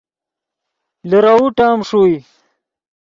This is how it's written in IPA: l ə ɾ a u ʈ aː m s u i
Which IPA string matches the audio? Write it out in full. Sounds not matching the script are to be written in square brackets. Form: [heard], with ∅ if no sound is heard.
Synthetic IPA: l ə ɾ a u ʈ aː m [ʂ] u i